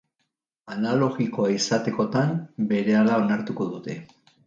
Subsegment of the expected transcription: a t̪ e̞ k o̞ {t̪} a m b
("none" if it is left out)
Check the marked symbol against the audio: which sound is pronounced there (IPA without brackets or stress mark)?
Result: t̪